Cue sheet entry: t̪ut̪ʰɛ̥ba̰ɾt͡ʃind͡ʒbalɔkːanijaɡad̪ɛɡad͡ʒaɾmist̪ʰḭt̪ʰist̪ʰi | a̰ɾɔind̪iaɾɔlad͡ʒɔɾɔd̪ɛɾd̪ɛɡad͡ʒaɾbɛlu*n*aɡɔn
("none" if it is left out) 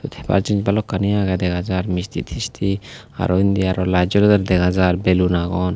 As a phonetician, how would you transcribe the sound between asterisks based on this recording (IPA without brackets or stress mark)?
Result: n